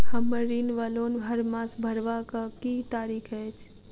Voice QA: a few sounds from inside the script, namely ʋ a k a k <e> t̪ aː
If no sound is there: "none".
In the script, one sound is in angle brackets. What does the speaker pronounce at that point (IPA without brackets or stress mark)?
i